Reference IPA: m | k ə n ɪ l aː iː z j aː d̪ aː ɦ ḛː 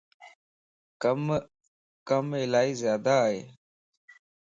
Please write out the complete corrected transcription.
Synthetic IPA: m | k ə m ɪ l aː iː z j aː d̪ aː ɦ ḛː